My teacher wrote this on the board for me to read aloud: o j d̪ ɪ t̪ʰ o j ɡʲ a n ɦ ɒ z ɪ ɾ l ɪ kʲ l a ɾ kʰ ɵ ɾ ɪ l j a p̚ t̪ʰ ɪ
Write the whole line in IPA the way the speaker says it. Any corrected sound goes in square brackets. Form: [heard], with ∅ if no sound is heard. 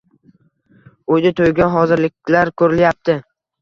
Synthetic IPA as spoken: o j d̪ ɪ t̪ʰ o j ɡʲ a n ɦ ɒ z ɪ ɾ l ɪ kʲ l a ɾ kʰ ɵ ɾ ɪ l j a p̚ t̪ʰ ɪ